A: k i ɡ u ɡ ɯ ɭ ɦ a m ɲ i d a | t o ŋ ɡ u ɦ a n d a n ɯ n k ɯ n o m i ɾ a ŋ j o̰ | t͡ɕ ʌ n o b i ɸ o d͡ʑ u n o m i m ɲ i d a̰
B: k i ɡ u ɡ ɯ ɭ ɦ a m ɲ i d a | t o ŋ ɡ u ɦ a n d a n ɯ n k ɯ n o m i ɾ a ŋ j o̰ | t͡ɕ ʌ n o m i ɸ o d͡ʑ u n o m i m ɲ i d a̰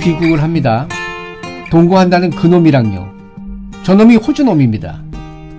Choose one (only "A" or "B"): B